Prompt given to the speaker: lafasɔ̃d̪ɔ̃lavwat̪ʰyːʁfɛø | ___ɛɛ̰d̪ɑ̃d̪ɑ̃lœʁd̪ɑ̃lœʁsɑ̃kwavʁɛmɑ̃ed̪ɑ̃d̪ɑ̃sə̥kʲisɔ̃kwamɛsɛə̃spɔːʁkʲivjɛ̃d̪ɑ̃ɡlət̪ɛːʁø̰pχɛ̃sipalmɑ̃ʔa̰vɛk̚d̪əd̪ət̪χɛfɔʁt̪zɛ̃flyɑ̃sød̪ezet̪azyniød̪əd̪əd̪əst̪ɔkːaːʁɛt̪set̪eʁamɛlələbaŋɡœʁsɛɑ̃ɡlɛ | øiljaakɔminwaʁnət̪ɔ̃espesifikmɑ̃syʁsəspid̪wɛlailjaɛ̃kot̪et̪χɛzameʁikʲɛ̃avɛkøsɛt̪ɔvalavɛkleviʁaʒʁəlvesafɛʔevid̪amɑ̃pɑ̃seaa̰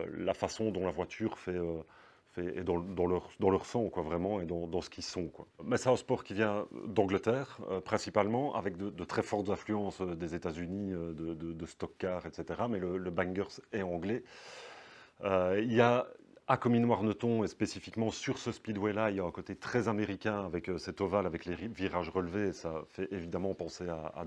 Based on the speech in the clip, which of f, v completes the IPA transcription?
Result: f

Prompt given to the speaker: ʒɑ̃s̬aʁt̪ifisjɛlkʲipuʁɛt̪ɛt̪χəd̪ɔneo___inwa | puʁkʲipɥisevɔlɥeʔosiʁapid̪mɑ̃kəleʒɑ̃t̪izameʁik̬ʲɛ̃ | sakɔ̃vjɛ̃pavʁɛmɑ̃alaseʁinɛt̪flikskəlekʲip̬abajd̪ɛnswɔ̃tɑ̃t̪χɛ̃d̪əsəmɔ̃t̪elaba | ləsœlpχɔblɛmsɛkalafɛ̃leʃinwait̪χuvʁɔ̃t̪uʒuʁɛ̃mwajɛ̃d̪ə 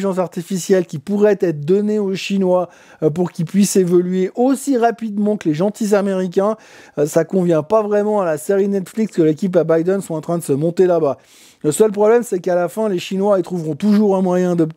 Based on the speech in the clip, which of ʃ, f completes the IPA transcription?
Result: ʃ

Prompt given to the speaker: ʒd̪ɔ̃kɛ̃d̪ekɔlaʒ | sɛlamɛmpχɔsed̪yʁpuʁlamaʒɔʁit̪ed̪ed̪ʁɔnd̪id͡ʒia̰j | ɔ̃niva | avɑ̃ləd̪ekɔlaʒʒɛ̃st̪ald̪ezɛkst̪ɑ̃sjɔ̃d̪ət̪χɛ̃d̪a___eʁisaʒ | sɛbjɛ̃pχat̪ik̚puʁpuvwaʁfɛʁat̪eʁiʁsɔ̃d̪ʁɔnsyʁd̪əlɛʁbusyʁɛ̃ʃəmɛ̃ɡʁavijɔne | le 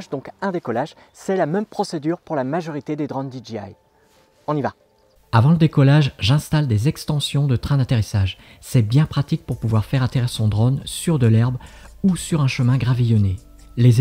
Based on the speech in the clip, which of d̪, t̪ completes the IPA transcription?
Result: t̪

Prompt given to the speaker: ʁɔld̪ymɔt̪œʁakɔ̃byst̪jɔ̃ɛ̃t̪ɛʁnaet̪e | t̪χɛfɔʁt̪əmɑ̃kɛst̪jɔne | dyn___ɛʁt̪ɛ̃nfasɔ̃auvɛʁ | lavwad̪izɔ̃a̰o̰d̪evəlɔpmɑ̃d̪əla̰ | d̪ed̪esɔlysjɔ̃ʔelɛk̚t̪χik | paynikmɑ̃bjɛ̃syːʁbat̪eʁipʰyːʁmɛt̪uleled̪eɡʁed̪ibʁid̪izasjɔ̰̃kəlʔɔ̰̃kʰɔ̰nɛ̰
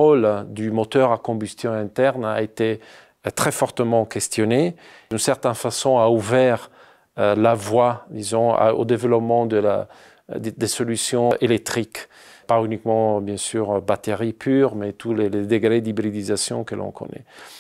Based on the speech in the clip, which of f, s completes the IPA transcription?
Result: s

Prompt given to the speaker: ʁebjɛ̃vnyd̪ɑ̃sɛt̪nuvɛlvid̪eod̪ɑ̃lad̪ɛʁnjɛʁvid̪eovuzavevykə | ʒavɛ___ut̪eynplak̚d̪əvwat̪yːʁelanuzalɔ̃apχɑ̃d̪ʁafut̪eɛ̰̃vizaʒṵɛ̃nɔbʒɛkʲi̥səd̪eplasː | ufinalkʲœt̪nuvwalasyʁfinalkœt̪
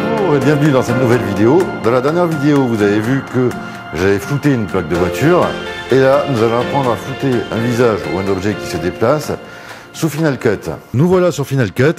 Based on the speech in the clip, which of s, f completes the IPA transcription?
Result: f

